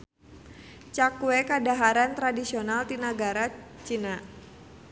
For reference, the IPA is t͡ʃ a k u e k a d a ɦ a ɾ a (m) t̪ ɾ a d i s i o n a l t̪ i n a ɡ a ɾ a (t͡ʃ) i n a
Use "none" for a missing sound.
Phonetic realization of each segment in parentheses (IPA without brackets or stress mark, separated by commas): n, t͡ʃ